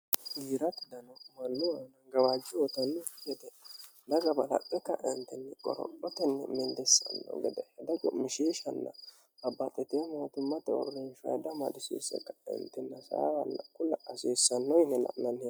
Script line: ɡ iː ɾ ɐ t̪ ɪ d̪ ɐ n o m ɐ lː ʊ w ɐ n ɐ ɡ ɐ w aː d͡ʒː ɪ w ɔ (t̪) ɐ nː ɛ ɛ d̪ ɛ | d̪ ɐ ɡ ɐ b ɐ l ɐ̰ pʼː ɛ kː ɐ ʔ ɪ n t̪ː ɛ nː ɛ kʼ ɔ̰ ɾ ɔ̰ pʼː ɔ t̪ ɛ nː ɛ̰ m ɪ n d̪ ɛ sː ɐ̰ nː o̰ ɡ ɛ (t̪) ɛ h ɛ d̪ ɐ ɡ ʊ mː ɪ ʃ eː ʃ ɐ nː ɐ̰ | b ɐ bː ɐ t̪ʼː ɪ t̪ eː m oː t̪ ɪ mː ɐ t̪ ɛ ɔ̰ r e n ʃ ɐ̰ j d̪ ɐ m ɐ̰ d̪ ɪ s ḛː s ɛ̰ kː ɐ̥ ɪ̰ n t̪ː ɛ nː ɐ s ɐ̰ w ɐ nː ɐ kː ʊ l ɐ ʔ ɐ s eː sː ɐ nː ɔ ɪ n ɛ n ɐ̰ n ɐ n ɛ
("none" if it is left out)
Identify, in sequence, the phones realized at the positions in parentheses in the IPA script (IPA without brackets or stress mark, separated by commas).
t̪, d̪